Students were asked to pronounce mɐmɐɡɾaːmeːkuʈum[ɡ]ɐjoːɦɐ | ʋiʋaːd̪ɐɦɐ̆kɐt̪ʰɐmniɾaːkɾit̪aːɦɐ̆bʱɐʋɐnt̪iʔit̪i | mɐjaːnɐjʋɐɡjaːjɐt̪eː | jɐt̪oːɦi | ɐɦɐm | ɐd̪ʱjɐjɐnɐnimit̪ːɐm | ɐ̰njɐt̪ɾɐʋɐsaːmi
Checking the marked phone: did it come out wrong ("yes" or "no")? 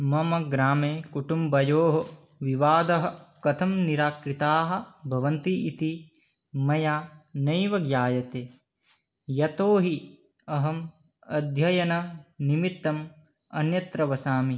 yes